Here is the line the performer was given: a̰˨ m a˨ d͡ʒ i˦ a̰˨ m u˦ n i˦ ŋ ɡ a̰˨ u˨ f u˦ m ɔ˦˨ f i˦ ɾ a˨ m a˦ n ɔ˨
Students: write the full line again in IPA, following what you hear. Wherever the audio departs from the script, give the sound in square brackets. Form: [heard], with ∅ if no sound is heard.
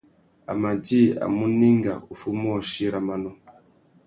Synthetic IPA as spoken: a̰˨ m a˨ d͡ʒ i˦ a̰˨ m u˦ n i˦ ŋ ɡ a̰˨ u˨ f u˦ m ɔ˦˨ [ʃ] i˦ ɾ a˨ m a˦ n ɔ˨